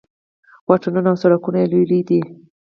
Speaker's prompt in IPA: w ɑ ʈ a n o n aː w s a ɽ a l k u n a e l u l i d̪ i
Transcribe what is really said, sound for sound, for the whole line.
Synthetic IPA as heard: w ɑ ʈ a n u n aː w s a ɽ a k u n a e l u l i d̪ i